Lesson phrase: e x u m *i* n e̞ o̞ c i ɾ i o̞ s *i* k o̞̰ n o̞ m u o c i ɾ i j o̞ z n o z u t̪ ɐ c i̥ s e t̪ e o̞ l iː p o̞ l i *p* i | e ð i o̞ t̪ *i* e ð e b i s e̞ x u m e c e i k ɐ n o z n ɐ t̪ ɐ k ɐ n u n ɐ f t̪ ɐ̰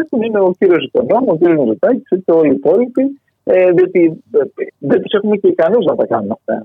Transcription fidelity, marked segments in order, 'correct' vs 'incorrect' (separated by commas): correct, correct, correct, correct